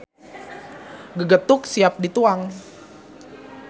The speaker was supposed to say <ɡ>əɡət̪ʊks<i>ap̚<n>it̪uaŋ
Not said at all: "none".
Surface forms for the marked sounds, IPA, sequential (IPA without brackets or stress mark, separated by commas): ɡ, i, d